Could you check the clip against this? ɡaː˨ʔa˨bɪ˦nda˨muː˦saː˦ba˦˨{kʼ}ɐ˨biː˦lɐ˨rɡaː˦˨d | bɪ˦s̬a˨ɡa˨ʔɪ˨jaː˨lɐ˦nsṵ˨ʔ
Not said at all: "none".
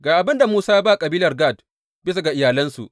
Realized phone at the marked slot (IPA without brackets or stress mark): kʼ